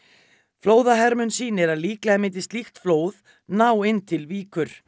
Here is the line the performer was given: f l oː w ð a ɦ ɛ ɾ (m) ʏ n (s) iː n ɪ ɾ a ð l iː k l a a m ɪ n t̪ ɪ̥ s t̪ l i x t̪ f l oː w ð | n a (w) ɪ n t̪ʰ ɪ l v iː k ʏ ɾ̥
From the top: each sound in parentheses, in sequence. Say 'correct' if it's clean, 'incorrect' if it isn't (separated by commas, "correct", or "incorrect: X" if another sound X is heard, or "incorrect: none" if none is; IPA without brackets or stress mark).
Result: correct, correct, correct